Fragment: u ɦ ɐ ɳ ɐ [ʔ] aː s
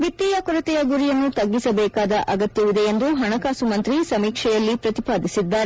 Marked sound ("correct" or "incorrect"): incorrect